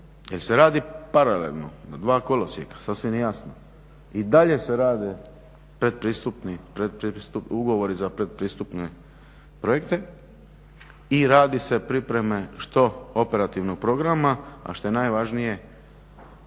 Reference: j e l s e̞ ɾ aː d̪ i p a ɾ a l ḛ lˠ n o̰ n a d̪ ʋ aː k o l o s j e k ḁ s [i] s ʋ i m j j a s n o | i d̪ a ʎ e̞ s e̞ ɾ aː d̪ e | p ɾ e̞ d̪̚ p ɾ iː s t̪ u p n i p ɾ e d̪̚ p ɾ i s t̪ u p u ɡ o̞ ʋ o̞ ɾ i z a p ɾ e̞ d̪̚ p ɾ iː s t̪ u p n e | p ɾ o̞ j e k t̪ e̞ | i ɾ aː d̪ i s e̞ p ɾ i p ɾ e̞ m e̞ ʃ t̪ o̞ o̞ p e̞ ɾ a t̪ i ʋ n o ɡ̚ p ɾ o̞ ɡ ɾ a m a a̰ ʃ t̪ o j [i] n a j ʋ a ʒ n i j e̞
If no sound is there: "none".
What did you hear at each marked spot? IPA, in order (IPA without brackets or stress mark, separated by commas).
a, e